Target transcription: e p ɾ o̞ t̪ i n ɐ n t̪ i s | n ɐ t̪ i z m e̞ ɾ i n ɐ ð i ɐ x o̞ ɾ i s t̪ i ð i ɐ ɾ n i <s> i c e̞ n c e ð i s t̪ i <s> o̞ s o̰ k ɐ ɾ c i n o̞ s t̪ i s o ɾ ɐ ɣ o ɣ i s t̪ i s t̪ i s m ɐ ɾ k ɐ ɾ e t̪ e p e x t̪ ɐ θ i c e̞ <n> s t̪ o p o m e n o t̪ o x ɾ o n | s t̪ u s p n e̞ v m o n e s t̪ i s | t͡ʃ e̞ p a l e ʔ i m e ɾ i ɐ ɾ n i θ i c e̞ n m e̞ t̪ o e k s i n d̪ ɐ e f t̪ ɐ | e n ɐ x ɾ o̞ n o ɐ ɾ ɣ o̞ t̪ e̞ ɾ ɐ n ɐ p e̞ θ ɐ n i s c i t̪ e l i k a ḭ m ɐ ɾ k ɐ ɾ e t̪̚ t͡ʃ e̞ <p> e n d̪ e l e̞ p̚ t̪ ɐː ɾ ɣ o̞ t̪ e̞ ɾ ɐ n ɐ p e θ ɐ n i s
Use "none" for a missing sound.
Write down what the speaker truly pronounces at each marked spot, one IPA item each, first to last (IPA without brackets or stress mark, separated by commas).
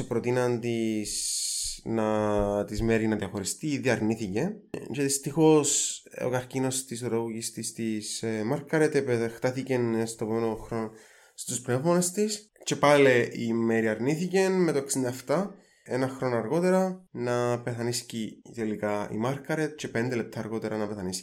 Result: θ, x, n, p